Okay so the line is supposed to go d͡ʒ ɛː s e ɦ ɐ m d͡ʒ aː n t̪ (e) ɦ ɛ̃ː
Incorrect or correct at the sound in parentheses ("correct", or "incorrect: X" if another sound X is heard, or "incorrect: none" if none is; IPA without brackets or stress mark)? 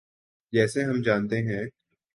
correct